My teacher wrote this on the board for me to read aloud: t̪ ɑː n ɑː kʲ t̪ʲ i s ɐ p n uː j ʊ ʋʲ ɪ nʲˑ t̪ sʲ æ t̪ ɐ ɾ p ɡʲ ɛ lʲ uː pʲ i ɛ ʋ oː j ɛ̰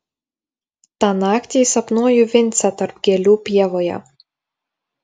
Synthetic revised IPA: t̪ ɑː n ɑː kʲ t̪ʲ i s ɐ p n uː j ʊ ʋʲ ɪ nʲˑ t̪ sʲ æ t̪ ɐ ɾ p ɡʲ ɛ lʲ uː pʲ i ɛ ʋ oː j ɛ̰

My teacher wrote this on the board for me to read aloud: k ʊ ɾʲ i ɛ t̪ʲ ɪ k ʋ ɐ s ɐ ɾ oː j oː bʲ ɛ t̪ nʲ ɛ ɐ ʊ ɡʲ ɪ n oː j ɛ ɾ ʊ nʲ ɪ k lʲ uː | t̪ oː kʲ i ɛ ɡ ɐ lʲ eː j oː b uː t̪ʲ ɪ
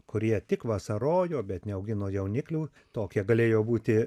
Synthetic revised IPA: k ʊ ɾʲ i ɛ t̪ʲ ɪ k ʋ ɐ s ɐ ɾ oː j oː bʲ ɛ t̪ nʲ ɛ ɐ ʊ ɡʲ ɪ n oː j ɛ ʊ nʲ ɪ k lʲ uː | t̪ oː kʲ i ɛ ɡ ɐ lʲ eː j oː b uː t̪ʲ ɪ

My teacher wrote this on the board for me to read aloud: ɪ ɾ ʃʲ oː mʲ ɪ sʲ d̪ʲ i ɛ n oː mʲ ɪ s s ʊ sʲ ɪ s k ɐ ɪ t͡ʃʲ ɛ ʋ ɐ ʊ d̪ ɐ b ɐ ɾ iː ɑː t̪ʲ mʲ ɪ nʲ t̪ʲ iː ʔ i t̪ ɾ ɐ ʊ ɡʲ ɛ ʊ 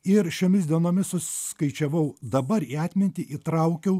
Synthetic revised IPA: ɪ ɾ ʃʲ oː mʲ ɪ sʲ d̪ʲ i ɛ n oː mʲ ɪ s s ʊ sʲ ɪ s k ɐ ɪ t͡ʃʲ ɛ ʋ ɐ ʊ d̪ ɐ b ɐ ɾ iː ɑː t̪ʲ mʲ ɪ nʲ t̪ʲ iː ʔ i t̪ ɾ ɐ ʊ kʲ ɛ ʊ

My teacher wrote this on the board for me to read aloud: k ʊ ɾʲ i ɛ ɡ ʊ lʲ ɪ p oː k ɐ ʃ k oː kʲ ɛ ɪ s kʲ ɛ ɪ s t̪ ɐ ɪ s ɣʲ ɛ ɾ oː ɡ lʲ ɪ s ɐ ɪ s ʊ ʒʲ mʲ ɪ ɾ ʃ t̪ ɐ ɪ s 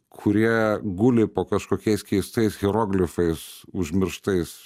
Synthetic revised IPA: kʰ ʊ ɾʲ i ɛ ɡ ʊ lʲ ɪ p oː k ɐ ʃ k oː kʲ ɛ ɪ s kʲ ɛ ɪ s t̪ ɐ ɪ s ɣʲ ɛ ɾ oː ɡ lʲ ɪ f ɐ ɪ s ʊ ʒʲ mʲ ɪ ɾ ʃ t̪ ɐ ɪ s

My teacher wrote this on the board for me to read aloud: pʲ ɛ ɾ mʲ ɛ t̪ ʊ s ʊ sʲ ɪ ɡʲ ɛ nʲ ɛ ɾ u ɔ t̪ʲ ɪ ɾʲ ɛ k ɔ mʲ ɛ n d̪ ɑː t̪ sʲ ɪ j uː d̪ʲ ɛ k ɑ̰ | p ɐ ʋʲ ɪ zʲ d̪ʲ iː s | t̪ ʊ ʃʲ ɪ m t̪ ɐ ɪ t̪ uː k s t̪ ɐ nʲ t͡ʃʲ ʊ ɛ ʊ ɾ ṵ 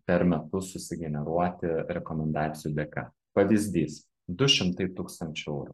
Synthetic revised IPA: pʲ ɛ ɾ mʲ ɛ t̪ ʊ s ʊ sʲ ɪ ɡʲ ɛ nʲ ɛ ɾ u ɔ t̪ʲ ɪ ɾʲ ɛ k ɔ mʲ ɛ n d̪ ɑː t̪ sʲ ɪ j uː d̪ʲ ɛ k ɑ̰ | p ɐ ʋʲ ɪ zʲ d̪ʲ iː s | d̪ ʊ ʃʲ ɪ m t̪ ɐ ɪ t̪ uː k s t̪ ɐ nʲ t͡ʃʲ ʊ ɛ ʊ ɾ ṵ

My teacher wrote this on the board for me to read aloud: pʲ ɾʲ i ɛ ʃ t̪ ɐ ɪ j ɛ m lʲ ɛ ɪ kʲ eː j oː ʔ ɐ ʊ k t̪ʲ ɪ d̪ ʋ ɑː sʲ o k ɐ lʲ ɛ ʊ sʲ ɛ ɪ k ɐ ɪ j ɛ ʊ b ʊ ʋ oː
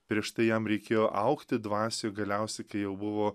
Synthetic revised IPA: pʲ ɾʲ i ɛ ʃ t̪ ɐ ɪ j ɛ m ɾʲ ɛ ɪ kʲ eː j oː ʔ ɐ ʊ k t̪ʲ ɪ d̪ ʋ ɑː sʲ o ɡ ɐ lʲ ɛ ʊ sʲ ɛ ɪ k ɐ ɪ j ɛ ʊ b ʊ ʋ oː

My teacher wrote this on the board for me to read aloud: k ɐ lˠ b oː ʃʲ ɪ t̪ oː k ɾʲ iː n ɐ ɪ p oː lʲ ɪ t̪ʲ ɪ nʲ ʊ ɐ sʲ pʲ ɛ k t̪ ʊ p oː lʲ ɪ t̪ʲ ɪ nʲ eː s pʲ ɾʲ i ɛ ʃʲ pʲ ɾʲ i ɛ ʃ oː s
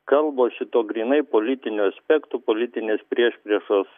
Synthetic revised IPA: k ɐ lˠ b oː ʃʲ ɪ t̪ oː ɡ ɾʲ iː n ɐ ɪ p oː lʲ ɪ t̪ʲ ɪ nʲ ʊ ɐ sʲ pʲ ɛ k t̪ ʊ p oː lʲ ɪ t̪ʲ ɪ nʲ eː s pʲ ɾʲ i ɛ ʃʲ pʲ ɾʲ i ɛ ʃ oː s

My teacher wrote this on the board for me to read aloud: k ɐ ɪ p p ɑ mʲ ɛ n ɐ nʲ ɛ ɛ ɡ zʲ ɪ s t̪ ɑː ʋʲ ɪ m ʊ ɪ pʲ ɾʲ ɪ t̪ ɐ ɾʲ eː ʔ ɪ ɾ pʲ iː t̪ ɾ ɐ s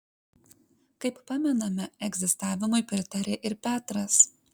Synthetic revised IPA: k ɐ ɪ p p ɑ mʲ ɛ n ɐ mʲ ɛ ɛ ɡ zʲ ɪ s t̪ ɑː ʋʲ ɪ m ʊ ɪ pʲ ɾʲ ɪ t̪ ɐ ɾʲ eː ʔ ɪ ɾ pʲ æː t̪ ɾ ɐ s

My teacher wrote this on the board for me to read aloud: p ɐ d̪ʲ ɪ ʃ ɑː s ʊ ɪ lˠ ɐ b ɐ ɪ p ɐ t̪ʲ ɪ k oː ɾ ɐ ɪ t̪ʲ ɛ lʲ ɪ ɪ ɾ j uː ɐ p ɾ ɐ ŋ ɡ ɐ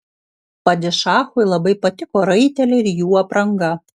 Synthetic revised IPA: p ɐ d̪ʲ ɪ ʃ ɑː x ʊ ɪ lˠ ɐ b ɐ ɪ p ɐ t̪ʲ ɪ k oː ɾ ɐ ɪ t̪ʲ ɛ lʲ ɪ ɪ ɾ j uː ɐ p ɾ ɐ ŋ ɡ ɐ

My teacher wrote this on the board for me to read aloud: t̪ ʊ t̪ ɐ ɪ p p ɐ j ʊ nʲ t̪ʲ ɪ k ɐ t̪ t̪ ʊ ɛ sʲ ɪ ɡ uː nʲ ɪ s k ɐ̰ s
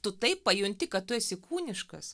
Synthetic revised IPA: t̪ ʊ t̪ ɐ ɪ p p ɐ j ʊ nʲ t̪ʲ ɪ k ɐ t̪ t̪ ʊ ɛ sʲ ɪ k uː nʲ ɪ ʃ k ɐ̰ s

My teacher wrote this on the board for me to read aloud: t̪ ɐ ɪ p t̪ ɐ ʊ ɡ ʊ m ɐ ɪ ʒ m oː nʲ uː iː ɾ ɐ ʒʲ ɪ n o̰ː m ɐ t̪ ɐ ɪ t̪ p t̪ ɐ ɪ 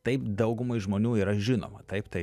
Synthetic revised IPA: t̪ ɐ ɪ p d̪ ɐ ʊ ɡ ʊ m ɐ ɪ ʒ m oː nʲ uː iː ɾ ɐ ʒʲ ɪ n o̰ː m ɐ t̪ ɐ ɪ p t̪ ɐ ɪ

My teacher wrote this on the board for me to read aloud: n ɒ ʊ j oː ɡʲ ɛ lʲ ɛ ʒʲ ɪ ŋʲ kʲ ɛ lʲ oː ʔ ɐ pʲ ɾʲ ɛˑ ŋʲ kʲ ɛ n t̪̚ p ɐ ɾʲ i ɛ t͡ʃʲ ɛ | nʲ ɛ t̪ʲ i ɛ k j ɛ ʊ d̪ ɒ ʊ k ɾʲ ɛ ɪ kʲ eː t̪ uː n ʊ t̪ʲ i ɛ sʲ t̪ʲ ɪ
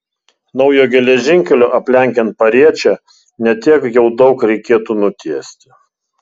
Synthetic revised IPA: n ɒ ʊ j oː ɡʲ ɛ lʲ ɛ ʒʲ ɪ ŋʲ kʲ ɛ lʲ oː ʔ ɐ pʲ lʲ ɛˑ ŋʲ kʲ ɛ n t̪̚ p ɐ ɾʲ i ɛ t͡ʃʲ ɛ | nʲ ɛ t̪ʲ i ɛ k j ɛ ʊ d̪ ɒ ʊ k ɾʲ ɛ ɪ kʲ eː t̪ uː n ʊ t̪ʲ i ɛ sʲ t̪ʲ ɪ

